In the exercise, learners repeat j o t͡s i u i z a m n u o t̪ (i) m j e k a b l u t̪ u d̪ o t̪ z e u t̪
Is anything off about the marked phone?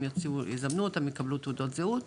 yes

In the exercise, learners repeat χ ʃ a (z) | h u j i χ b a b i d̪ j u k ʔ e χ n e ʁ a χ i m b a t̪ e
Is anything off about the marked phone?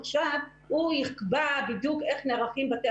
yes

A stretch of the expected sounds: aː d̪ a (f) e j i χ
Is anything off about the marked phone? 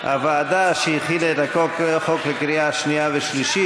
yes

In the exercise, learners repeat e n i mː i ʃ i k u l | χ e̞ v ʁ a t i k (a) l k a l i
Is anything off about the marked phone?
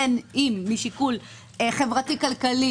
no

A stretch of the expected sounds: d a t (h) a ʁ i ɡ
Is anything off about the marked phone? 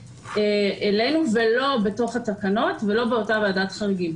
yes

